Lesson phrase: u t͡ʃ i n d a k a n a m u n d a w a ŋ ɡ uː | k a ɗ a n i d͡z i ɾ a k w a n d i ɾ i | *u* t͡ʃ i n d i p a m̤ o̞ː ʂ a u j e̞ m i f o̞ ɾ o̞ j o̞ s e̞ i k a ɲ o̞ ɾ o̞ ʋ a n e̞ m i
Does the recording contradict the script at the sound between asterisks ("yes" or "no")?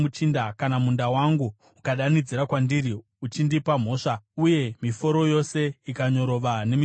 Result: no